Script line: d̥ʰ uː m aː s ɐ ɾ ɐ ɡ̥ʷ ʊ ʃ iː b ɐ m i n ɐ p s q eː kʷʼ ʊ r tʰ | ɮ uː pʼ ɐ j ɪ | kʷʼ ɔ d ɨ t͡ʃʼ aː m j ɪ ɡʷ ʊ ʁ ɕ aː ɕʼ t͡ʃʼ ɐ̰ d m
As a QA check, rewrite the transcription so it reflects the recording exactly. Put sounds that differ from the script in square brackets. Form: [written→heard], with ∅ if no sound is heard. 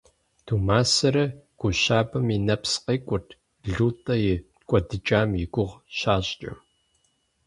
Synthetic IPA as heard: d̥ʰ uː m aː s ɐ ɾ ɐ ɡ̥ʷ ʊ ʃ [iː→aː] b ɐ m i n ɐ p s q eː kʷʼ ʊ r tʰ | ɮ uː [pʼ→tʼ] ɐ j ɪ | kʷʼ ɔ d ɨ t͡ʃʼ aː m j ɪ ɡʷ ʊ ʁ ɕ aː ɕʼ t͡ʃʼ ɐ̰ [d→∅] m